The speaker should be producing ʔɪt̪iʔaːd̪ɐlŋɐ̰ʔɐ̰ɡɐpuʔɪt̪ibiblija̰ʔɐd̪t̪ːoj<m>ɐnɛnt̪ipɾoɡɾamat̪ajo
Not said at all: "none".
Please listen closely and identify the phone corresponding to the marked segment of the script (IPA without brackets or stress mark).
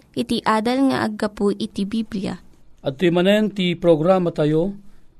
m